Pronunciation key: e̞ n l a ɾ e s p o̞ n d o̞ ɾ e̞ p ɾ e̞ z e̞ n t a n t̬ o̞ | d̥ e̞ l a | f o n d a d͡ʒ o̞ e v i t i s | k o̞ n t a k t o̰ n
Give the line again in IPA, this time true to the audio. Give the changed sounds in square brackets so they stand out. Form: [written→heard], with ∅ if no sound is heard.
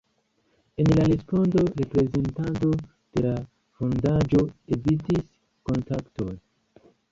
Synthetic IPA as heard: e̞ n l a ɾ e s p o̞ n d o̞ ɾ e̞ p ɾ e̞ z e̞ n t a n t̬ o̞ | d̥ e̞ l a | f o n d a d͡ʒ o̞ e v i t i s | k o̞ n t a k t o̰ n